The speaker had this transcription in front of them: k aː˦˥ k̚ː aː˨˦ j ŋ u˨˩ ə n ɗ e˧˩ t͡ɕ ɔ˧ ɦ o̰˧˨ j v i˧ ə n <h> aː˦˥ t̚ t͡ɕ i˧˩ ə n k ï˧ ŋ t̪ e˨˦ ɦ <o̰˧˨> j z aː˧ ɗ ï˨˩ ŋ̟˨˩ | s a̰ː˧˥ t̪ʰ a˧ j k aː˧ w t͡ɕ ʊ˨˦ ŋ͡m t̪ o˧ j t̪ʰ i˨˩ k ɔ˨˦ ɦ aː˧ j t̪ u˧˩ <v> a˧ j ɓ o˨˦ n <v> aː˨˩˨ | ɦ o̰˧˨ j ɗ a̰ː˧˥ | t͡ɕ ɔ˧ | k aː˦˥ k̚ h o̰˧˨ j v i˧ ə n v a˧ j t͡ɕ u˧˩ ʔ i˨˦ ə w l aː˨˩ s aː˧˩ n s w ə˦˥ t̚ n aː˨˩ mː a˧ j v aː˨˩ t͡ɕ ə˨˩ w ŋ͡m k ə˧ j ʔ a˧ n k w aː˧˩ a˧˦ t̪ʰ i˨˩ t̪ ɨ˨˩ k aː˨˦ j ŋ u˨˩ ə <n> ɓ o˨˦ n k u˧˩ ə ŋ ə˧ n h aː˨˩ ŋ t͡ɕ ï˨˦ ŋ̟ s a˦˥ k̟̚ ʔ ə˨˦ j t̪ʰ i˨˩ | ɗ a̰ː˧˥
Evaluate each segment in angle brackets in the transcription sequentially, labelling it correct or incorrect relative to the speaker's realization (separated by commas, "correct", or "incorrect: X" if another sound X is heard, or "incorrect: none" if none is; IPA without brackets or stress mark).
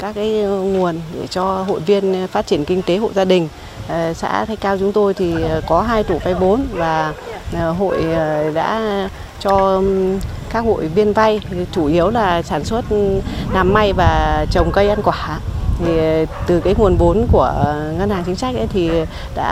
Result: incorrect: f, correct, correct, correct, correct